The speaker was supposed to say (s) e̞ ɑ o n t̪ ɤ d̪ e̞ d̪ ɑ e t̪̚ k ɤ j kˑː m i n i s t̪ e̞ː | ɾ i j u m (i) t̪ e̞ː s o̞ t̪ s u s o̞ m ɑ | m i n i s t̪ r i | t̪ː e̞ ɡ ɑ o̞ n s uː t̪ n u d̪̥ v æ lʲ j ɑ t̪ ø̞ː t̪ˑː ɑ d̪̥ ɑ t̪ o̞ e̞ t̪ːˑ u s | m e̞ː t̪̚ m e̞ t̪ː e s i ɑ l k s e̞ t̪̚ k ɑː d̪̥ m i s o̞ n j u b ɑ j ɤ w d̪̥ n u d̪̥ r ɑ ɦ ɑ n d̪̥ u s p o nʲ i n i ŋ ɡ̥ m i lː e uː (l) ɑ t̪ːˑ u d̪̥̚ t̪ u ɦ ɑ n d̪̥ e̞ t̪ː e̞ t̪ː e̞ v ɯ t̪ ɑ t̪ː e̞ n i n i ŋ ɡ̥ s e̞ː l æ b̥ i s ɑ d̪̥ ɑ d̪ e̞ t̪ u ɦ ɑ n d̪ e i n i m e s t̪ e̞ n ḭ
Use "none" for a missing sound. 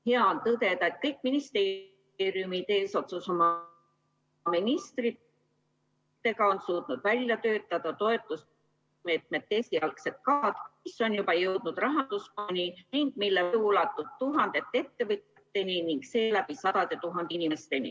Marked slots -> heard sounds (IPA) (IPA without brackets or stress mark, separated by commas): h, i, l